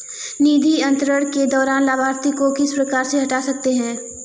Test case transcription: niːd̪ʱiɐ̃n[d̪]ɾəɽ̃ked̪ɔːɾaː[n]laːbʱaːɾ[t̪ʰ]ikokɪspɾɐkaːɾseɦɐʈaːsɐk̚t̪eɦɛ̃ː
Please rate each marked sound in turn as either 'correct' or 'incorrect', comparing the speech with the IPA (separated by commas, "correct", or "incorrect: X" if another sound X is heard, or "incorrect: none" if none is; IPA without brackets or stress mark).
incorrect: t̪, correct, incorrect: t̪